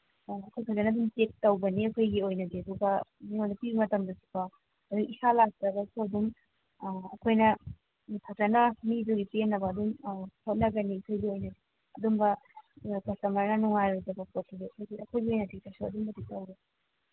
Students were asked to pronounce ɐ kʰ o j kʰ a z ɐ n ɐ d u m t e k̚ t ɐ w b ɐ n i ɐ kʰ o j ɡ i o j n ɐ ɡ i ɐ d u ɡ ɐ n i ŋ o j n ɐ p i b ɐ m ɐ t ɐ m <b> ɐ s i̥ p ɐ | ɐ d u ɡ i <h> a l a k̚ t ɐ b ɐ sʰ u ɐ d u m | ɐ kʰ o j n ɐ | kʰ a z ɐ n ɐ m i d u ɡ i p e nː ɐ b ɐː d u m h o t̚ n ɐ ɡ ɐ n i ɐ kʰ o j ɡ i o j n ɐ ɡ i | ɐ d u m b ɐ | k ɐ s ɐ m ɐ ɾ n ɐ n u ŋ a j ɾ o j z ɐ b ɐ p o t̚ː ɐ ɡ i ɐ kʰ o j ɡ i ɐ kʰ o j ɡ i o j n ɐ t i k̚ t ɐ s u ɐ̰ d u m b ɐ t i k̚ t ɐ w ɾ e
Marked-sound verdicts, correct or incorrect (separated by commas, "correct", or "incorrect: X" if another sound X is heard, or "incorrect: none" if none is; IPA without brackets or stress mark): incorrect: d, incorrect: s